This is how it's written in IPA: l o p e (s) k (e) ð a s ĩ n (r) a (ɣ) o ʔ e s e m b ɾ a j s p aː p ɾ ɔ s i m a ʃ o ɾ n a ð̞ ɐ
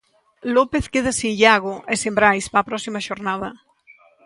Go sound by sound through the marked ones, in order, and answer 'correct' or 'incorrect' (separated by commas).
incorrect, correct, incorrect, correct